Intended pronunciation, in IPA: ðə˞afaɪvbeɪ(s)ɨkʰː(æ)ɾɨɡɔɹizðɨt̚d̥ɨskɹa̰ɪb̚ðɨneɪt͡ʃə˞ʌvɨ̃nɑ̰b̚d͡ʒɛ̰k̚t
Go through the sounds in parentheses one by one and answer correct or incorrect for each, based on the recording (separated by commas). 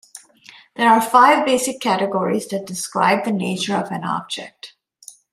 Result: correct, correct